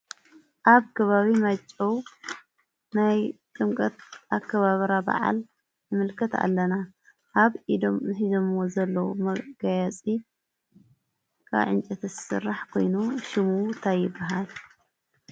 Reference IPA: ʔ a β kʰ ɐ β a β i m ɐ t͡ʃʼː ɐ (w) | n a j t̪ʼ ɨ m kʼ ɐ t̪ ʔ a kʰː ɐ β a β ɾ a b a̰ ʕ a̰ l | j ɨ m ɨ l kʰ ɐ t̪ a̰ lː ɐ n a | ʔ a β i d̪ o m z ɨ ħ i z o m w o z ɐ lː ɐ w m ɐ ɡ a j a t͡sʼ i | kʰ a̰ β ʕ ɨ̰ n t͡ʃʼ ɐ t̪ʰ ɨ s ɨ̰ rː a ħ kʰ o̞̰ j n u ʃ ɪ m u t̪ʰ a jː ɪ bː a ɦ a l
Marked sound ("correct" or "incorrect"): correct